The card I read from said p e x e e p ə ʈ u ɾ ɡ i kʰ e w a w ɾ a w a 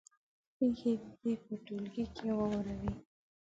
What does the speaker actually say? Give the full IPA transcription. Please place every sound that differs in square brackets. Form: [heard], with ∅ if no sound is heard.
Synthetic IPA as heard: p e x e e p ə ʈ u [l] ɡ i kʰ e w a w ɾ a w [i]